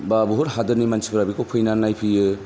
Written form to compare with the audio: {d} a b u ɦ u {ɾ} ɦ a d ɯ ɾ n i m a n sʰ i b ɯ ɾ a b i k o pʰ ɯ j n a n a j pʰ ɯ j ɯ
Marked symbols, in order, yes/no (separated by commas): no, yes